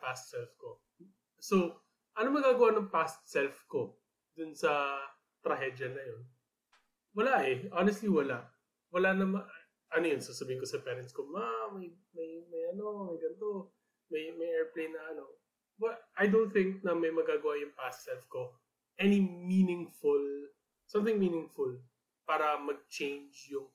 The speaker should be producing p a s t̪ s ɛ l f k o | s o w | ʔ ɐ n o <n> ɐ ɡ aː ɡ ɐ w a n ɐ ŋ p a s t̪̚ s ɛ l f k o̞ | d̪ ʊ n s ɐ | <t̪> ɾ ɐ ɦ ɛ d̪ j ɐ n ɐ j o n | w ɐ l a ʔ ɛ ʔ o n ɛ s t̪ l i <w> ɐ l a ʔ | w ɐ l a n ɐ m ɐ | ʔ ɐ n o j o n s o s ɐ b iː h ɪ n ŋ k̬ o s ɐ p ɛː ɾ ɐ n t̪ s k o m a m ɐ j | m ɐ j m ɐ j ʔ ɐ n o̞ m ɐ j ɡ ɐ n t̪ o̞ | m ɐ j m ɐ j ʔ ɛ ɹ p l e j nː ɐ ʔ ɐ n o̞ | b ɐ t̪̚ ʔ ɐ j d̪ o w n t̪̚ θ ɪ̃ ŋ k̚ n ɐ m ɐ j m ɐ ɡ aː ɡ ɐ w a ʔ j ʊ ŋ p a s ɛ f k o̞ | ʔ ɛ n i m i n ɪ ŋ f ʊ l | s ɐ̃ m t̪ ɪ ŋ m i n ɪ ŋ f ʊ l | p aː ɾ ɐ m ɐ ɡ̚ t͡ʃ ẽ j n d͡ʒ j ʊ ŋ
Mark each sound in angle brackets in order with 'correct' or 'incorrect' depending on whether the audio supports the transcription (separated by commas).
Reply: incorrect, correct, correct